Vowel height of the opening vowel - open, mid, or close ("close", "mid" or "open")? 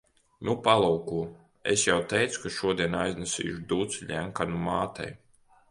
close